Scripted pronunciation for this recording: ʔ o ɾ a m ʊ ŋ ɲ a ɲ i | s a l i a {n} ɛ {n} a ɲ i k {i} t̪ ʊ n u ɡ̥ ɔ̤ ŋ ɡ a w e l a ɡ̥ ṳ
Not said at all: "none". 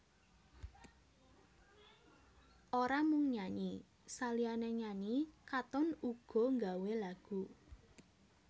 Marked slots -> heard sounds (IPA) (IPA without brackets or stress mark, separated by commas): n, ɲ, a